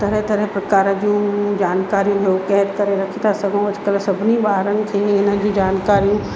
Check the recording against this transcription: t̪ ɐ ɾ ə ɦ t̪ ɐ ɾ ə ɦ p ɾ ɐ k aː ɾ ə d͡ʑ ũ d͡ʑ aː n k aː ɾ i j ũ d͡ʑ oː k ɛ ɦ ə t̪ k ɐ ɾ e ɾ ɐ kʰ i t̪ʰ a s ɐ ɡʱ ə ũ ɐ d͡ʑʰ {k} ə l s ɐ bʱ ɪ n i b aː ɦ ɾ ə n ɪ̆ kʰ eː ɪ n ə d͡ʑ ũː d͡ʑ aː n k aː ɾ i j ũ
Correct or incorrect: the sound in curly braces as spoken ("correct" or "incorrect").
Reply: correct